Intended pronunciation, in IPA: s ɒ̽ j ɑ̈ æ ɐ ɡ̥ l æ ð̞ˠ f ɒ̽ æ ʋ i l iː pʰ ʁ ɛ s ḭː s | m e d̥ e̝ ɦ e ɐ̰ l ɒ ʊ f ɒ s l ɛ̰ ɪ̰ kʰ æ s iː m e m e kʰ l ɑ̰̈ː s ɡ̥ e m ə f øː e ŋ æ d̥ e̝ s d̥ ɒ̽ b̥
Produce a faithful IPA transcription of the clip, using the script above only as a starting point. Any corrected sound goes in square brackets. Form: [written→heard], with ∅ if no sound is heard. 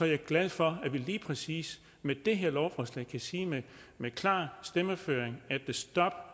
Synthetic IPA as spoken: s ɒ̽ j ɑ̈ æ ɐ ɡ̥ l æ ð̞ˠ f ɒ̽ æ ʋ i l iː pʰ ʁ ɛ s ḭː s | m e d̥ e̝ ɦ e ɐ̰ l ɒ ʊ f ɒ s l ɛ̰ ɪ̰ kʰ æ s iː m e m e kʰ l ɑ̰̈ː s [ɡ̥→d̥] e m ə f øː e ŋ æ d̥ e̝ s d̥ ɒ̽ b̥